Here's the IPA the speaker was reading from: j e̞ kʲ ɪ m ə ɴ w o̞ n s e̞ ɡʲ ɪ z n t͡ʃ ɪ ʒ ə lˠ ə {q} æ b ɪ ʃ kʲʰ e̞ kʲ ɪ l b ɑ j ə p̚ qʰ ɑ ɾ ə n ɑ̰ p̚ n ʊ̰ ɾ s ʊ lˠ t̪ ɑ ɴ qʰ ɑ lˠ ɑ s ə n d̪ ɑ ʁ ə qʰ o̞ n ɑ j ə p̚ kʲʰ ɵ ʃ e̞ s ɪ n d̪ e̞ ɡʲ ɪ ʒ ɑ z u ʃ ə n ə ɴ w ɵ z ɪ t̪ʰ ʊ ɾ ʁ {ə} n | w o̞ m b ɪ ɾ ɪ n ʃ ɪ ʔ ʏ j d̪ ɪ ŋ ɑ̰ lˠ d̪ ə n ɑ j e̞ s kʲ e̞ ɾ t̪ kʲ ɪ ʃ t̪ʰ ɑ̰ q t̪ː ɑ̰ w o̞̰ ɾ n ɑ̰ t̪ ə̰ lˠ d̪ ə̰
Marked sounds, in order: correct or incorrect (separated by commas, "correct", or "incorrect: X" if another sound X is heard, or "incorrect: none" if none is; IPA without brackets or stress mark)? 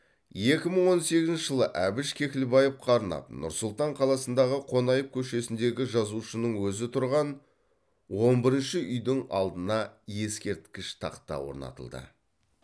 incorrect: ʔ, incorrect: ɑ